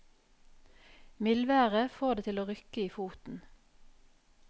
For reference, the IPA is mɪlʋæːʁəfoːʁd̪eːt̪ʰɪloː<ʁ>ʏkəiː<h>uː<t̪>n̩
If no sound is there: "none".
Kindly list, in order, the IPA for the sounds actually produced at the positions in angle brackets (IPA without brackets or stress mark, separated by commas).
ʁ, f, t̪